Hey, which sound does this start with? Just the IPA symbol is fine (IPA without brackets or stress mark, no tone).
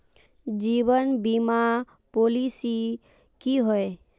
d͡ʒ